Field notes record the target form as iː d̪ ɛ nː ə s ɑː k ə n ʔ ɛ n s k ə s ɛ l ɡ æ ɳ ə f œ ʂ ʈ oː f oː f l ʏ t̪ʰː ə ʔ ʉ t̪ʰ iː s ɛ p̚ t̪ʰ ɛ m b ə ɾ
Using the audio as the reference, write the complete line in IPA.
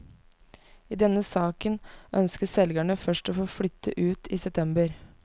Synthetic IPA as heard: iː d̪ ɛ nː ə s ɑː k ə n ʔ œ n s k ə s ɛ l ɡ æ ɳ ə f œ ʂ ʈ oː f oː f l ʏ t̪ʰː ə ʔ ʉː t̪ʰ iː s ɛ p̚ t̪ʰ ɛ m b ə ɾ